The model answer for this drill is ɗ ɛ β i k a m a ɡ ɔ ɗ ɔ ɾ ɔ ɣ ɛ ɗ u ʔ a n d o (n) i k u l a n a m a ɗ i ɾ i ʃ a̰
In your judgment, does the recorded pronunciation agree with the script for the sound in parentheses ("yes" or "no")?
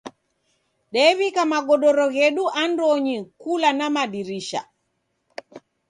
no